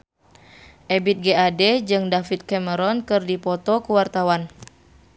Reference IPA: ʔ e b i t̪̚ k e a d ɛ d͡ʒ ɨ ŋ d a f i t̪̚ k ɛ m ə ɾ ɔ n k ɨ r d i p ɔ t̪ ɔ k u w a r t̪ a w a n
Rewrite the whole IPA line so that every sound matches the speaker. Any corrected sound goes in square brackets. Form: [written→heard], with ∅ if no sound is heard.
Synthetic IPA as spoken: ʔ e b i t̪̚ [k→ɡ] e a d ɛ d͡ʒ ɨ ŋ d a f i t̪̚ k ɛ m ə ɾ ɔ n k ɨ r d i p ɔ t̪ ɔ k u w a r t̪ a w a n